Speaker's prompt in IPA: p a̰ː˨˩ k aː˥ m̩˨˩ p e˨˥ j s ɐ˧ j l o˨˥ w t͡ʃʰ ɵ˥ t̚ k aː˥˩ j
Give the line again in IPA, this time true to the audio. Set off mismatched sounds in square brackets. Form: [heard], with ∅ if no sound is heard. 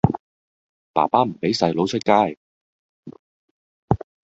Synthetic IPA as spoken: p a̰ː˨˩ [p] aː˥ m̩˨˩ p e˨˥ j s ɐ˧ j l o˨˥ w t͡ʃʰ ɵ˥ t̚ k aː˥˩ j